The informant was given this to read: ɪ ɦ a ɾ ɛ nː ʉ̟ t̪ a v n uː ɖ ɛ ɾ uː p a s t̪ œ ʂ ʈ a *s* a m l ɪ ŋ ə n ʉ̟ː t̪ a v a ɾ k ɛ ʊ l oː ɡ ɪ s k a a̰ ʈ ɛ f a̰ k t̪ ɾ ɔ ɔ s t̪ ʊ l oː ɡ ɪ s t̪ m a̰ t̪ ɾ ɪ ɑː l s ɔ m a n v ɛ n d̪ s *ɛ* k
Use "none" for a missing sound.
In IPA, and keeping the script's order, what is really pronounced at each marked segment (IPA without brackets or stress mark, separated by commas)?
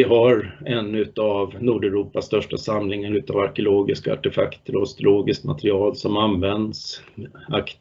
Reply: s, a